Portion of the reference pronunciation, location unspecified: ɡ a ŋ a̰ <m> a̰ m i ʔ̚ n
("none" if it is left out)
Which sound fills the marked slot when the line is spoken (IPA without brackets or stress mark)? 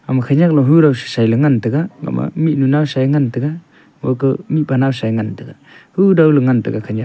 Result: m